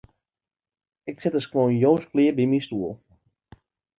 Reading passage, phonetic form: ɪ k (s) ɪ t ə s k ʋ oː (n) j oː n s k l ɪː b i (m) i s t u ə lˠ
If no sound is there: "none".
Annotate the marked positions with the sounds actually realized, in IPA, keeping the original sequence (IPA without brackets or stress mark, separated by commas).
s, n, m